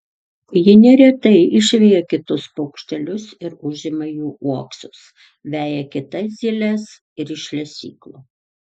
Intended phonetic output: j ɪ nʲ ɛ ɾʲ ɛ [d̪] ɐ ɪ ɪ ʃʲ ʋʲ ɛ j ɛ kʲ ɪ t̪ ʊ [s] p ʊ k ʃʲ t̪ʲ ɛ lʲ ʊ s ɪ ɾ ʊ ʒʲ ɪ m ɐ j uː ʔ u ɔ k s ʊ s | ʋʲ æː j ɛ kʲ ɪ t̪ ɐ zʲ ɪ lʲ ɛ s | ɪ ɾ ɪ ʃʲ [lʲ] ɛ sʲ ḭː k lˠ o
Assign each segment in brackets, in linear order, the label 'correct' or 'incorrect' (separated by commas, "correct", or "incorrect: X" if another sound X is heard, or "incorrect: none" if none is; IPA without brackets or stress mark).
incorrect: t̪, correct, correct